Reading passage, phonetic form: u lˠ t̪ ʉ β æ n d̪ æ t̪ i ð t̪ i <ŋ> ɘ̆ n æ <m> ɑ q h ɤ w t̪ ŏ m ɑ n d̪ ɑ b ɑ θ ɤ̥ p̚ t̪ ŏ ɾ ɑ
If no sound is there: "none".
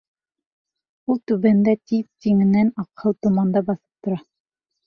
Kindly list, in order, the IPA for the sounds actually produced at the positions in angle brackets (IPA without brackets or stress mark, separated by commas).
ŋ, n